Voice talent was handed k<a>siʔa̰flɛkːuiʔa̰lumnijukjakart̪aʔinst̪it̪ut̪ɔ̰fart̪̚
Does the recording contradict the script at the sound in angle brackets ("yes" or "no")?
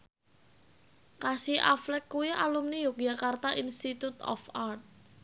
no